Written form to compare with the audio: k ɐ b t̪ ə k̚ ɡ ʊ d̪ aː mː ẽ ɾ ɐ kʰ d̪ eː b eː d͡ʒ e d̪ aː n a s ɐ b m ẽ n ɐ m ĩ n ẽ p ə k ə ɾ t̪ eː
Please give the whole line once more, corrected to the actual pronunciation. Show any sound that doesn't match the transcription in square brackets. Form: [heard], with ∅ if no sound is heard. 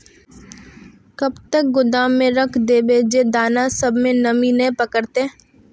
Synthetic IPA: k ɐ b t̪ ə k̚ ɡ ʊ d̪ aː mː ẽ ɾ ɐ kʰ d̪ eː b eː d͡ʒ e d̪ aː n a s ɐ b m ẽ n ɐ m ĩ n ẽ p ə k ə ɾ t̪ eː

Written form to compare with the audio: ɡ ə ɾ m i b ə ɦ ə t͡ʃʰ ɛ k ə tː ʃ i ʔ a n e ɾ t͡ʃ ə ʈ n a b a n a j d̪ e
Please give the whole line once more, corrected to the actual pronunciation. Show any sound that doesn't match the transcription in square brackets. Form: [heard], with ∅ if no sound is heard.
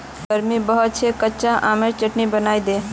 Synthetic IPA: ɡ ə ɾ m i b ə ɦ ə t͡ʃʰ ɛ k ə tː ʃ [a] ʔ a [m] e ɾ t͡ʃ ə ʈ n [i] b [ə] n a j d̪ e

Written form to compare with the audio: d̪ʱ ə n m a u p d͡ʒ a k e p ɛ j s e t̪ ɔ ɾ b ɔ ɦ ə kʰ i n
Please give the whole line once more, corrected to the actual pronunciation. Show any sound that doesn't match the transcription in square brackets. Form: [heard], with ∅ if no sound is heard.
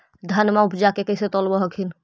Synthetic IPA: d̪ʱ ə n m a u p d͡ʒ a k e [k] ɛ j s e t̪ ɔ [l] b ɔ ɦ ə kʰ i n

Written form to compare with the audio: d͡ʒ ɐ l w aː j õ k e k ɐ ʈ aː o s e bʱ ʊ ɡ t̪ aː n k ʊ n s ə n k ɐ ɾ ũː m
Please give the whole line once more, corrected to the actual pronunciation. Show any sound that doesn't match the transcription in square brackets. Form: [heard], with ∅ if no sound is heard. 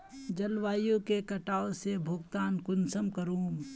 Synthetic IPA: d͡ʒ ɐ l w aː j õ k e k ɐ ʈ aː o s e bʱ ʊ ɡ t̪ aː n k ʊ n s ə [m] k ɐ ɾ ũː m

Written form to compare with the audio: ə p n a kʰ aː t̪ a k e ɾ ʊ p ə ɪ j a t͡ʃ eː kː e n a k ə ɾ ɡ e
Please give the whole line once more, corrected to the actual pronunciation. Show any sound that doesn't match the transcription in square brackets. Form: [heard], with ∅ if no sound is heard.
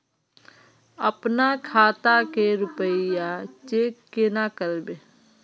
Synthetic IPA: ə p n a kʰ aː t̪ a k e ɾ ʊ p ə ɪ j a t͡ʃ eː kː e n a k ə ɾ [b] e

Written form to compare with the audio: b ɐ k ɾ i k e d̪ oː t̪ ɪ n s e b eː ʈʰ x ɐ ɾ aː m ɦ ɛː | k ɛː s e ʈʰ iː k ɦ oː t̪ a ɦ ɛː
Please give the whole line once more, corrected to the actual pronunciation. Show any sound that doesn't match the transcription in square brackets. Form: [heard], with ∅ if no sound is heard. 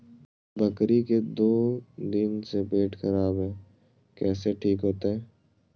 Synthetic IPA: b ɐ k ɾ i k e d̪ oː [d̪] ɪ n s e b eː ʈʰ x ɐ ɾ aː [b] ɦ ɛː | k ɛː s e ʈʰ iː k ɦ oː t̪ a ɦ ɛː

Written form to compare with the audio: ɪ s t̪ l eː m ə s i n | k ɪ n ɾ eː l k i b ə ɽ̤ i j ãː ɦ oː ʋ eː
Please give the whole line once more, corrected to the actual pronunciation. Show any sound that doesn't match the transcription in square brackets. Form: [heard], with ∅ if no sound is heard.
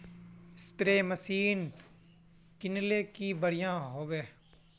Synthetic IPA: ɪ s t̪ [ɾ] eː m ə s [iː] n | k ɪ n [l] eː [∅] k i b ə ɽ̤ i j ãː ɦ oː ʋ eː

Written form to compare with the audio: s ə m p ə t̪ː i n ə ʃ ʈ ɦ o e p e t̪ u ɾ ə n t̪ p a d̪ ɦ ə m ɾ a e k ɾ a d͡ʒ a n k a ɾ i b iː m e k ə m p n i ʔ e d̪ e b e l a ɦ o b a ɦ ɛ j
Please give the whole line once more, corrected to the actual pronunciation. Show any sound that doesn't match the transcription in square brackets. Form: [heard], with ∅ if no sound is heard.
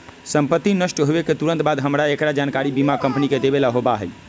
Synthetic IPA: s ə m p ə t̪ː i n ə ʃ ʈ ɦ o e [k] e t̪ u ɾ ə n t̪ [b] a d̪ ɦ ə m ɾ a e k ɾ a d͡ʒ a n k a ɾ i b [i] m [a] k ə m p n i [k] e d̪ e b e l a ɦ o b a ɦ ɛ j

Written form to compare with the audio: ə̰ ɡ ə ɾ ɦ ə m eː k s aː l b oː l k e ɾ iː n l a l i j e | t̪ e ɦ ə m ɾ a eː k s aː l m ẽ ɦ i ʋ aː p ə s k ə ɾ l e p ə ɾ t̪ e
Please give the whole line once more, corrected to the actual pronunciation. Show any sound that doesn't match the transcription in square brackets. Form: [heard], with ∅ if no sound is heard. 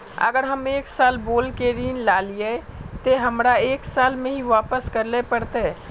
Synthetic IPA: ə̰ ɡ ə ɾ ɦ ə m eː k s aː l b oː l k e ɾ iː n l a l i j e | t̪ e ɦ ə m ɾ a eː k s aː l m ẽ ɦ i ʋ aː p ə s k ə ɾ l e p ə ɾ t̪ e

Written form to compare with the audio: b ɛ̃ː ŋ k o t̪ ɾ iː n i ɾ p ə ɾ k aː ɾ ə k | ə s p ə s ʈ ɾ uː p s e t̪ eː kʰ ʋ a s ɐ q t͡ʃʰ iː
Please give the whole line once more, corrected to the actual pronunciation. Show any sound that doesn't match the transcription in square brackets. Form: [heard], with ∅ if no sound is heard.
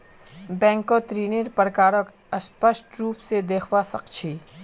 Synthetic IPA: b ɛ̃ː ŋ k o t̪ ɾ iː n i ɾ p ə ɾ k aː ɾ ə k | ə s p ə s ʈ ɾ uː p s e [d̪] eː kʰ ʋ a s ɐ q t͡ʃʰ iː

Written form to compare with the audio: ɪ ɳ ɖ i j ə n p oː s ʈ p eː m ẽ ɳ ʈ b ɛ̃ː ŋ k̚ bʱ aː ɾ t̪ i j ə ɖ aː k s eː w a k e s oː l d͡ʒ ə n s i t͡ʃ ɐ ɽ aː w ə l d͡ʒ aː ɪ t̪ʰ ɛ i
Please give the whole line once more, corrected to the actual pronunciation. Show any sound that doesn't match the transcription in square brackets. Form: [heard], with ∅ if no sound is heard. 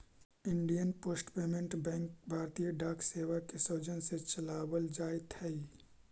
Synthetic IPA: ɪ ɳ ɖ i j ə n p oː s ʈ p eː m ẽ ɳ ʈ b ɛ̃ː ŋ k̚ bʱ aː ɾ t̪ i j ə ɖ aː k s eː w a k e s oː [∅] d͡ʒ ə n s [e] t͡ʃ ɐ [l] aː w ə l d͡ʒ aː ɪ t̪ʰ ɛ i

